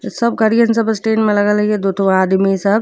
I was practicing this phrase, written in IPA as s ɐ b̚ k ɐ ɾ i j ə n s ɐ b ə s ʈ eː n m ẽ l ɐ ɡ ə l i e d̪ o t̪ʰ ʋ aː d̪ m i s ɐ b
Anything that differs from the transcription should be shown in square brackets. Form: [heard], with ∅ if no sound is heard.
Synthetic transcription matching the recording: s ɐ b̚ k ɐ ɾ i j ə n s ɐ b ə s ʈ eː n m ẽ l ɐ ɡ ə l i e d̪ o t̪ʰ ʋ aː d̪ m i s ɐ b